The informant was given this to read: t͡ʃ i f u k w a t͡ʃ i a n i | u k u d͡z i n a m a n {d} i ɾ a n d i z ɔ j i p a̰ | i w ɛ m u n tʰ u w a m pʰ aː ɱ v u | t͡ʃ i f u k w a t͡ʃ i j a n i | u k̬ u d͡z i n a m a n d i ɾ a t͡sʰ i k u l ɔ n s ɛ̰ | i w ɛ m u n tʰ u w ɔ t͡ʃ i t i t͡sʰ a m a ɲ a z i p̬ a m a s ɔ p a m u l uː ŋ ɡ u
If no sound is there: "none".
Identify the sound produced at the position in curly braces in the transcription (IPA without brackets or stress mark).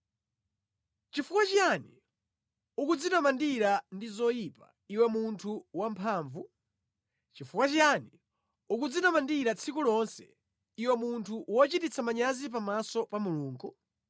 d